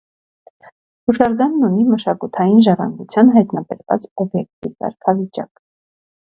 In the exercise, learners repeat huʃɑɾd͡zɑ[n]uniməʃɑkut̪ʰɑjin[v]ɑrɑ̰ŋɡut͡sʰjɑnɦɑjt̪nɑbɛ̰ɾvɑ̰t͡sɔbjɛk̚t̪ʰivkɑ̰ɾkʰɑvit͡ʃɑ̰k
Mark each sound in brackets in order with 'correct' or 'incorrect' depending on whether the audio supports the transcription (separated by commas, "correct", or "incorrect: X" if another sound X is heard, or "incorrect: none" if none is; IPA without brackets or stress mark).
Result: incorrect: nː, incorrect: ʒ